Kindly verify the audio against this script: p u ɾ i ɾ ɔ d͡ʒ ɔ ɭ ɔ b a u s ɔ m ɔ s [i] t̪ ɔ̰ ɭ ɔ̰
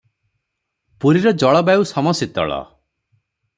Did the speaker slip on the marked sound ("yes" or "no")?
no